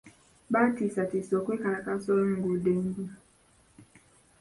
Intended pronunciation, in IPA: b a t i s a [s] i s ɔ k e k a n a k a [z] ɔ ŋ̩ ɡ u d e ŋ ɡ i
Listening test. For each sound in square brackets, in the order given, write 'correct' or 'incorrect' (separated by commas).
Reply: incorrect, incorrect